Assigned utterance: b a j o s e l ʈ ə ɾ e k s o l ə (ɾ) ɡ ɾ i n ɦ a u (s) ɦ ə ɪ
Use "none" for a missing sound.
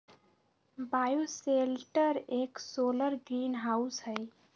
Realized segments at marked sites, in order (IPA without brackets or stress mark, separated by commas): ɾ, s